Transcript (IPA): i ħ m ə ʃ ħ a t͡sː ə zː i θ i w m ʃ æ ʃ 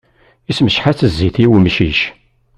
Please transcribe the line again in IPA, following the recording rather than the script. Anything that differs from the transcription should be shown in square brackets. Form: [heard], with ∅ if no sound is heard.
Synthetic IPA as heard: i [s] m ə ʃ ħ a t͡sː ə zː i θ i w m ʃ [i] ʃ